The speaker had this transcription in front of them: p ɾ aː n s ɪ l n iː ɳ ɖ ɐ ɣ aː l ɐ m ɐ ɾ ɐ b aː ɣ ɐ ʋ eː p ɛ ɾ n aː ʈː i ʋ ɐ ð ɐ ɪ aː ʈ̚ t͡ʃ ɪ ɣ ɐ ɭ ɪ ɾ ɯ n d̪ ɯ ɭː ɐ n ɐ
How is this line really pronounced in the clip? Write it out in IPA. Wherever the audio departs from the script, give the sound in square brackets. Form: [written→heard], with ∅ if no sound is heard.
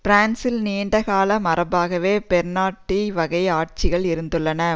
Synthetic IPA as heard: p ɾ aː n s ɪ l n iː ɳ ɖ ɐ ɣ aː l ɐ m ɐ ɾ ɐ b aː ɣ ɐ ʋ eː p ɛ ɾ n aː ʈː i ʋ ɐ [ð→ɣ] ɐ ɪ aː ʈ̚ t͡ʃ ɪ ɣ ɐ ɭ ɪ ɾ ɯ n d̪ ɯ ɭː ɐ n ɐ

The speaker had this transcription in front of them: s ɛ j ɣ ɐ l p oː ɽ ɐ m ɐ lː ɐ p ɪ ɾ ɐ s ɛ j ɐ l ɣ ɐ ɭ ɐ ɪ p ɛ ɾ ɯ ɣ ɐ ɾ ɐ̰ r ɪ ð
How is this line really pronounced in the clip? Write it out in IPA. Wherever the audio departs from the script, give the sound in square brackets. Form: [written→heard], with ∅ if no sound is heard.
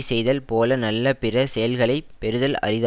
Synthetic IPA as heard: s ɛ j [ɣ→ð] ɐ l p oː [ɽ→l] ɐ [m→n] ɐ lː ɐ p ɪ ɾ ɐ s ɛ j ɐ l ɣ ɐ ɭ ɐ ɪ p ɛ ɾ ɯ [ɣ→ð] ɐ [ɾ→l] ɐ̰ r ɪ ð

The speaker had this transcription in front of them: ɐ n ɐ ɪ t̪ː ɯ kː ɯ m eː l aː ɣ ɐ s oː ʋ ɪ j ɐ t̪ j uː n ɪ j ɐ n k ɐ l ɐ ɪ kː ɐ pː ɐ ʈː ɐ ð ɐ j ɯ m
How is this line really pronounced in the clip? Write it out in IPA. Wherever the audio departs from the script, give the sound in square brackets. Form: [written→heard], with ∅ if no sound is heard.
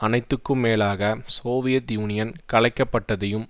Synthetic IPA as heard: ɐ n ɐ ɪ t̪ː ɯ kː ɯ m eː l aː ɣ ɐ s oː ʋ ɪ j ɐ t̪ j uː n ɪ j ɐ n k ɐ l ɐ ɪ kː ɐ pː ɐ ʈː ɐ ð ɐ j ɯ m

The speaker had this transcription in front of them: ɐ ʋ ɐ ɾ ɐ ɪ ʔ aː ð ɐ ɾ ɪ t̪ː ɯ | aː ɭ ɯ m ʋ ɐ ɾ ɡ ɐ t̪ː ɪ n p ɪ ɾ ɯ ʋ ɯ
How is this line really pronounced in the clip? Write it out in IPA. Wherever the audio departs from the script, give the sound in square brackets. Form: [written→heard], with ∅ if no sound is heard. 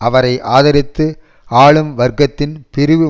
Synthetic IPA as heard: ɐ ʋ ɐ ɾ ɐ ɪ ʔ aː ð ɐ ɾ ɪ t̪ː ɯ | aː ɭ ɯ m ʋ ɐ ɾ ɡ ɐ t̪ː ɪ n p ɪ ɾ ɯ ʋ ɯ

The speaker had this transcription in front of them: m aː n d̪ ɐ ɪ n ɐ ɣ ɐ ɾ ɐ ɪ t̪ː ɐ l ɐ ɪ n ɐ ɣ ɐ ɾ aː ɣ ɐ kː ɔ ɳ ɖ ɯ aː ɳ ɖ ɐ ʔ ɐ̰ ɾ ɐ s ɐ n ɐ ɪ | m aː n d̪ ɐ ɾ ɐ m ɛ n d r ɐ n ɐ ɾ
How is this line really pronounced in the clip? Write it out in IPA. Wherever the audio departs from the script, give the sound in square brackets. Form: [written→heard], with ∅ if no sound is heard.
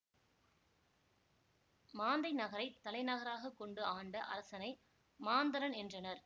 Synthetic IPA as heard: m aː n d̪ ɐ ɪ n ɐ ɣ ɐ ɾ ɐ ɪ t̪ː ɐ l ɐ ɪ n ɐ ɣ ɐ ɾ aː ɣ ɐ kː ɔ ɳ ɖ ɯ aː ɳ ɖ ɐ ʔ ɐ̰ ɾ ɐ s ɐ n ɐ ɪ | m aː n d̪ ɐ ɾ ɐ [m→n] ɛ n d r ɐ n ɐ ɾ

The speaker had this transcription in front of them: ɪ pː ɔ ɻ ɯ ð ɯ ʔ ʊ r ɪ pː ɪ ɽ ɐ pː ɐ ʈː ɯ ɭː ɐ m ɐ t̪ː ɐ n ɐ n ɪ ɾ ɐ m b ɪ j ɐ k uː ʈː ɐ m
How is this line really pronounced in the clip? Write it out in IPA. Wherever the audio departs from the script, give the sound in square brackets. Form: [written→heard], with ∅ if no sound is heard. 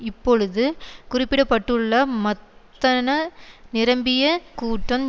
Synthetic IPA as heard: ɪ pː ɔ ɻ ɯ ð ɯ [ʔ→k] ʊ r ɪ pː ɪ ɽ ɐ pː ɐ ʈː ɯ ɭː ɐ m ɐ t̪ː ɐ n ɐ n ɪ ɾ ɐ m b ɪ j ɐ k uː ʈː ɐ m

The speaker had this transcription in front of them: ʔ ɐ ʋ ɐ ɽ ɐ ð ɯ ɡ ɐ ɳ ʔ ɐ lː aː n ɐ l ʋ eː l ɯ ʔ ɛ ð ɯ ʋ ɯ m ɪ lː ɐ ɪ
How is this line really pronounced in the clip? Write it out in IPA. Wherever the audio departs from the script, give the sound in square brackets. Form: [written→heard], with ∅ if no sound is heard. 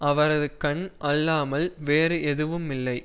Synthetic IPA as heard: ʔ ɐ ʋ ɐ [ɽ→ɾ] ɐ ð ɯ [ɡ→k] ɐ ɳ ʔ ɐ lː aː [n→m] ɐ l ʋ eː [l→ɾ] ɯ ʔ ɛ ð ɯ ʋ ɯ m ɪ lː ɐ ɪ

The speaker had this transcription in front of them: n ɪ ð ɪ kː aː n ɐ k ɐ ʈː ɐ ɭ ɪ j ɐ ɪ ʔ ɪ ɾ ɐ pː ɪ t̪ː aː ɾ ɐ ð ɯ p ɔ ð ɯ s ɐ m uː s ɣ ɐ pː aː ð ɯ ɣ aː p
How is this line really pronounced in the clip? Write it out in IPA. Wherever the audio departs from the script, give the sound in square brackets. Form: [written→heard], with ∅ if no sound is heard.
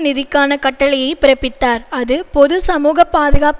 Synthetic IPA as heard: n ɪ ð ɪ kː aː n ɐ k ɐ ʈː ɐ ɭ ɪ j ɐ ɪ [ʔ→p] ɪ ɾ ɐ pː ɪ t̪ː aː ɾ ɐ ð ɯ p ɔ ð ɯ s ɐ m uː [s→∅] ɣ ɐ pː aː ð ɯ ɣ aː p

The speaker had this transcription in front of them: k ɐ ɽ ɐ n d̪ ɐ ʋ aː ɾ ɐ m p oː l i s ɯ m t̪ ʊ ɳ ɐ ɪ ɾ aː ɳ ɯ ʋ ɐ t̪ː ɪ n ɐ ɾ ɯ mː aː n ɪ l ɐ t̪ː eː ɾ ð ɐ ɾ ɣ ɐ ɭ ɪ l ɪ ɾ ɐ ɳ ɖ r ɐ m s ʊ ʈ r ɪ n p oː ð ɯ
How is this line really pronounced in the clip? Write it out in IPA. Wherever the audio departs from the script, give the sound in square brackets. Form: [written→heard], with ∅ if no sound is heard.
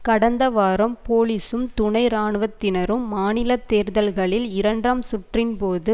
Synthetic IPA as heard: k ɐ ɽ ɐ n d̪ ɐ ʋ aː ɾ ɐ m p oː l i s ɯ m t̪ ʊ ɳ ɐ ɪ ɾ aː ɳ ɯ ʋ ɐ t̪ː ɪ n ɐ ɾ ɯ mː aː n ɪ l ɐ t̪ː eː ɾ ð ɐ [ɾ→l] ɣ ɐ ɭ ɪ l ɪ ɾ ɐ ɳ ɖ r ɐ m s ʊ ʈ r ɪ n p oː ð ɯ

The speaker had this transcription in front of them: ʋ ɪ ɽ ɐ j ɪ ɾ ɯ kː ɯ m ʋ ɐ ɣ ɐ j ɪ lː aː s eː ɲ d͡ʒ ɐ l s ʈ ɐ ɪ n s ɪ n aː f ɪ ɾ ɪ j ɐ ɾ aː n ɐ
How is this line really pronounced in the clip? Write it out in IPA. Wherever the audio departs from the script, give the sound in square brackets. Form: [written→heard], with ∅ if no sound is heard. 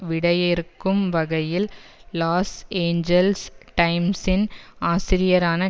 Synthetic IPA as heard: ʋ ɪ ɽ ɐ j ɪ ɾ ɯ kː ɯ m ʋ ɐ ɣ ɐ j ɪ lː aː s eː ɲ d͡ʒ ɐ l s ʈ ɐ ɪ [n→m] s ɪ n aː [f→s] ɪ ɾ ɪ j ɐ ɾ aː n ɐ

